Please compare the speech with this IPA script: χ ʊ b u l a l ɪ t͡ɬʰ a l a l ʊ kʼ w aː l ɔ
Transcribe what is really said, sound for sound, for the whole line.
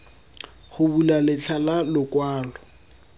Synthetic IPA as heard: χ ʊ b u l a l ɪ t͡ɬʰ a l a l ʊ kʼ w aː l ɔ